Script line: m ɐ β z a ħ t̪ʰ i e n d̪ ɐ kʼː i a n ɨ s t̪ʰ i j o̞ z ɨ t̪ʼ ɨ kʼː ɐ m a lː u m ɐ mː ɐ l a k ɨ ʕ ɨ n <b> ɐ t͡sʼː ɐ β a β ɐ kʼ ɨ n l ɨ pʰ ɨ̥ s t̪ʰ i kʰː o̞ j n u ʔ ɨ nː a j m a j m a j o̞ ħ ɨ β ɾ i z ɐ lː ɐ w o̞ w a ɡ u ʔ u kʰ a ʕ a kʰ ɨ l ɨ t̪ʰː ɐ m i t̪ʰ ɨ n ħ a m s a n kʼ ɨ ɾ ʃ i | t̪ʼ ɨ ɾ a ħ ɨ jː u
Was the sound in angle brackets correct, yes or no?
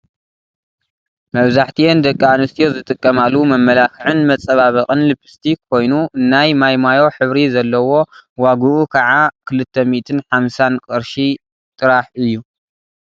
no